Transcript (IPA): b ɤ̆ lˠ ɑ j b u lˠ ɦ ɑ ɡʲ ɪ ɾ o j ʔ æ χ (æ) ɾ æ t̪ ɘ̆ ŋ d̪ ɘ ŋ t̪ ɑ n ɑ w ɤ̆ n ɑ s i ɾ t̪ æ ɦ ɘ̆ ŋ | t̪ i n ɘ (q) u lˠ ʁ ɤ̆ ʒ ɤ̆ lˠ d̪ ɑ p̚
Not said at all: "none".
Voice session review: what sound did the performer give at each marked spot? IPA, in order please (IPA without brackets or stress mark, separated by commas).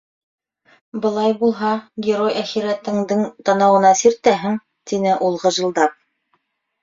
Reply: i, ʔ